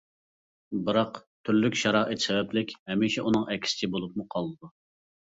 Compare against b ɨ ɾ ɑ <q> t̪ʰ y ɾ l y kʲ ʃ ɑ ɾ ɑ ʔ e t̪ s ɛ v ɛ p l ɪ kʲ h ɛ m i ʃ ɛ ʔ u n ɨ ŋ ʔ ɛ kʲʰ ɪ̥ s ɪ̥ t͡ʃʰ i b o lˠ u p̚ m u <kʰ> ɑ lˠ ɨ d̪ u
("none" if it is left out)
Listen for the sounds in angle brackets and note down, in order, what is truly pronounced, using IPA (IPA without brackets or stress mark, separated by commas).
q, qʰ